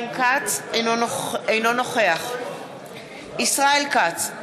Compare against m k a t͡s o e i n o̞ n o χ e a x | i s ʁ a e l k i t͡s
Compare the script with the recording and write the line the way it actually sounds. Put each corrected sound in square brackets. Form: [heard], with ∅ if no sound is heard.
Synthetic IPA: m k a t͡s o e [j] n o̞ n o χ e a [χ] | i s ʁ a e l k [a] t͡s